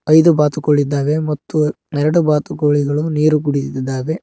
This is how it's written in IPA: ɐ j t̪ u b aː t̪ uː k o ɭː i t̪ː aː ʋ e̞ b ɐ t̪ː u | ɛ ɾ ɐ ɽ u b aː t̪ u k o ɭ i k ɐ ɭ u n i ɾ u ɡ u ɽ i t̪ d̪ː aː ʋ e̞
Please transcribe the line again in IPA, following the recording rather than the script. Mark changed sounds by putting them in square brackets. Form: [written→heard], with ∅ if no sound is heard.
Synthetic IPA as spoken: ɐ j [t̪→d̪] u b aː t̪ [uː→u] k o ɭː i [t̪ː→d̪ː] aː ʋ e̞ [b→m] ɐ t̪ː u | ɛ ɾ ɐ ɽ u b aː t̪ u k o ɭ i [k→ɡ] ɐ ɭ u n [i→iː] ɾ u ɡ u ɽ i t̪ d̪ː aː ʋ e̞